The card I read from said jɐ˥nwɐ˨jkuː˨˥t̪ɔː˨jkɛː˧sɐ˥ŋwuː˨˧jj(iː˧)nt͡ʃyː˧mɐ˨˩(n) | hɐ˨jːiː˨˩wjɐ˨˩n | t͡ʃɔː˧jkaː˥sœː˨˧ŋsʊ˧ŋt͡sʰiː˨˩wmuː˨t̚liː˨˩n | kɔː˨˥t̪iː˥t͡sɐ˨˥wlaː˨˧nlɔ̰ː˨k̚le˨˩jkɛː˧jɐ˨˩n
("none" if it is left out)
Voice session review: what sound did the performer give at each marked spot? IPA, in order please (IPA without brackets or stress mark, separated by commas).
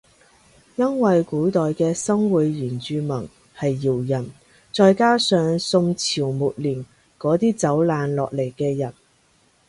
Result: iː˨˩, ŋ